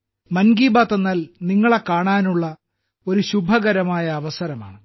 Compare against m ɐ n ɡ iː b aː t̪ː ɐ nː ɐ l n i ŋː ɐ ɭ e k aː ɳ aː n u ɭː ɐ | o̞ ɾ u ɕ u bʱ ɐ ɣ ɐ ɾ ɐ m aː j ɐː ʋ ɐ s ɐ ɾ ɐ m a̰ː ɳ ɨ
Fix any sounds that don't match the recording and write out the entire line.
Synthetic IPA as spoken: m ɐ n ɡ iː b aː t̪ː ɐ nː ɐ l n i ŋː ɐ ɭ e k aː ɳ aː n u ɭː ɐ | o̞ ɾ u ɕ u bʱ ɐ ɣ ɐ ɾ ɐ m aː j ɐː ʋ ɐ s ɐ ɾ ɐ m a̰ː ɳ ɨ